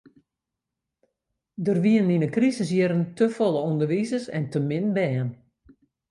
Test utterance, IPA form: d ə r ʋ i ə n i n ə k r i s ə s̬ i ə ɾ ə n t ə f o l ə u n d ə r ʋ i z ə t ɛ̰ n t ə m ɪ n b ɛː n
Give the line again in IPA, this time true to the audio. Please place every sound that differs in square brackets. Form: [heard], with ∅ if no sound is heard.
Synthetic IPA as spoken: d ə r ʋ i ə n i n ə k r i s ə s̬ [j] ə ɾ ə n t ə f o l ə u n d ə r ʋ i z ə [s] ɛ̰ n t ə m ɪ n b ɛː n